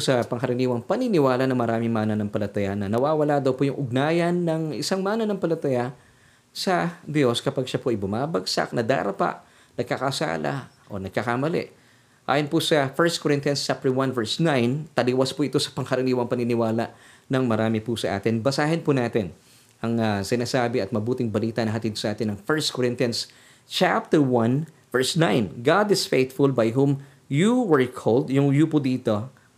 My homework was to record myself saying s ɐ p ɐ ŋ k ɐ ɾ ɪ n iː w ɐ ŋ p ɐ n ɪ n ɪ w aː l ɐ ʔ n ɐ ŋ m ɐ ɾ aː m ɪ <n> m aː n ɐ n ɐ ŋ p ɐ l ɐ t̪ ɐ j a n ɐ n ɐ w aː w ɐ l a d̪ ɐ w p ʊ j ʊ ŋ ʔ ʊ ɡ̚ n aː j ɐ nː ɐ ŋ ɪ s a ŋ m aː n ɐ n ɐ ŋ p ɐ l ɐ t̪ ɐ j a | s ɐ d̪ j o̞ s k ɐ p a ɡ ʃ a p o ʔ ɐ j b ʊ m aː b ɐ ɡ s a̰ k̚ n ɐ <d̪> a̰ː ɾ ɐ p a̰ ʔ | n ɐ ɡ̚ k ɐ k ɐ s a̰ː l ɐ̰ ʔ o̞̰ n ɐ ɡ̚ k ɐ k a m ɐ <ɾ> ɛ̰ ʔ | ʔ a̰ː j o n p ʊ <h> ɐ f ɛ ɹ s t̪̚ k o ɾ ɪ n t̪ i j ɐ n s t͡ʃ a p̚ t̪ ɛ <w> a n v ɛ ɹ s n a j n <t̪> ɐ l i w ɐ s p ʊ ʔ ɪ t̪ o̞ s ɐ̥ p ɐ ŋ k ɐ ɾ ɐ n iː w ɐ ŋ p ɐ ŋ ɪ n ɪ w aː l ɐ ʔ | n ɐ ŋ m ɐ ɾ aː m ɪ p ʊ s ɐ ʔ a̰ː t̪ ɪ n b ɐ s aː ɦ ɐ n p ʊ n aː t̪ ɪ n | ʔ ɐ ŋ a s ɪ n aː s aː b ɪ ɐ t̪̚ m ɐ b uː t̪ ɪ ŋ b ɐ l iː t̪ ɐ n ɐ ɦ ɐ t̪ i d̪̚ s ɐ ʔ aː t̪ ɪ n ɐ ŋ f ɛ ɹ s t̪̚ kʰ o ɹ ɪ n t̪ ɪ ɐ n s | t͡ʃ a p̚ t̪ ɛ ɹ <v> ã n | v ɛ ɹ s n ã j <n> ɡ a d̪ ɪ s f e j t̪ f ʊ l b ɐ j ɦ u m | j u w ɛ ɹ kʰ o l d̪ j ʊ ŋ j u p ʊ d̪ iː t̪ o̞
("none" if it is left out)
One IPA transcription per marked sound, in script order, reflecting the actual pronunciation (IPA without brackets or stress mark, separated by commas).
ŋ, d̪, l, s, w, t̪, w, n